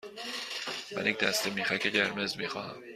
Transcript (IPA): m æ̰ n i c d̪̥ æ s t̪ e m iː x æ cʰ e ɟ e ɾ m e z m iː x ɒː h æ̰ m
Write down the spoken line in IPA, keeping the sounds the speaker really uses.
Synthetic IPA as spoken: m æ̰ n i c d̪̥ æ s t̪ e m iː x æ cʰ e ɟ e ɾ m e z m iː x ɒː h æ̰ m